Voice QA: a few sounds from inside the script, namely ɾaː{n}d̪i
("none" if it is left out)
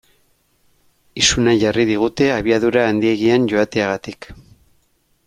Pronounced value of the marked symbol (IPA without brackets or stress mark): n